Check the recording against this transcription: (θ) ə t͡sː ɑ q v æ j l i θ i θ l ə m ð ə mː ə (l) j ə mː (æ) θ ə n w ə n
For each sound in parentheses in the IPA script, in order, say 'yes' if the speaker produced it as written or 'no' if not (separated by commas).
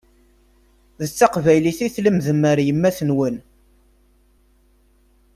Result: no, no, yes